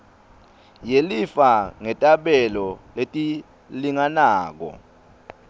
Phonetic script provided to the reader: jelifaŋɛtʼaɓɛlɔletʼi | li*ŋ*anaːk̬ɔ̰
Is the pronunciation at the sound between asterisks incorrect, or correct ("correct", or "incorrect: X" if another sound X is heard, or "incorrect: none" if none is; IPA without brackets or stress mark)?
correct